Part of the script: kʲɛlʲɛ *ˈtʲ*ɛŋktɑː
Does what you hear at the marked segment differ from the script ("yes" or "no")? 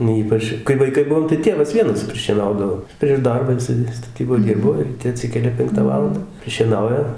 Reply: yes